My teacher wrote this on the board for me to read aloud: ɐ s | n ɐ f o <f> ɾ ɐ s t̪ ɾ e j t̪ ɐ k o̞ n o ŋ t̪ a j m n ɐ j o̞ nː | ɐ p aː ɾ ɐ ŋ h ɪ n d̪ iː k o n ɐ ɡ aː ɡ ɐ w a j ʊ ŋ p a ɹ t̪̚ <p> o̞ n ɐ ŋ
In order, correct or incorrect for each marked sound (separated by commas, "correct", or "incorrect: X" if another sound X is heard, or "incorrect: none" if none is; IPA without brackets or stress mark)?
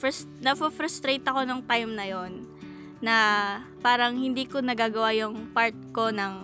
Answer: correct, incorrect: k